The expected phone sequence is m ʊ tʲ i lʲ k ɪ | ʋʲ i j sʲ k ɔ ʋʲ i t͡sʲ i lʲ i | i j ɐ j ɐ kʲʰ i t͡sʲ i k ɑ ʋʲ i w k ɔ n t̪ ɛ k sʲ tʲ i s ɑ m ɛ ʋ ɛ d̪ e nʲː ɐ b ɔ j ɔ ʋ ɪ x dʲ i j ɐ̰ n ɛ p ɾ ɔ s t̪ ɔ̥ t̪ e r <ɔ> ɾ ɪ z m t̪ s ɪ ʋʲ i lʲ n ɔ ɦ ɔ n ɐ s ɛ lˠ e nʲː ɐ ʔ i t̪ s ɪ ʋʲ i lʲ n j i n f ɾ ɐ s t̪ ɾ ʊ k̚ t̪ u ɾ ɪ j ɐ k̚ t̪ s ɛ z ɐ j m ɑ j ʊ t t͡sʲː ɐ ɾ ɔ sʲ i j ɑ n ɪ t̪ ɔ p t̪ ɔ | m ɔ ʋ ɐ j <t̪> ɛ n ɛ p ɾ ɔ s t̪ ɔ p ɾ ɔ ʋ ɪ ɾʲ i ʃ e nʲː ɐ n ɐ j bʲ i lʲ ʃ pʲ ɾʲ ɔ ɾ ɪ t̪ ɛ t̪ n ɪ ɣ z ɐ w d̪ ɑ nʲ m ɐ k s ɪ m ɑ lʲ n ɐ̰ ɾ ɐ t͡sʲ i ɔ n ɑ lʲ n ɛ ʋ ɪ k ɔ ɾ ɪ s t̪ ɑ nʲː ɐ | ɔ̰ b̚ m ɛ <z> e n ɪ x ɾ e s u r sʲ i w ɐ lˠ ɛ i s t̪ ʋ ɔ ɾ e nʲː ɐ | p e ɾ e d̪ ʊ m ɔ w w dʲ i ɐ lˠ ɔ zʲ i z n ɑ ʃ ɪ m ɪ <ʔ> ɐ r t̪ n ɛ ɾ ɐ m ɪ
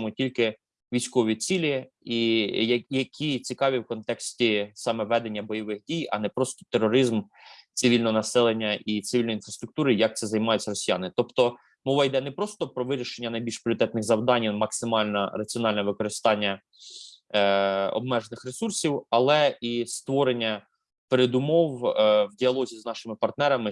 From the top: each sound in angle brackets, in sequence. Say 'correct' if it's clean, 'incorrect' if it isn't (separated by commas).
correct, incorrect, incorrect, incorrect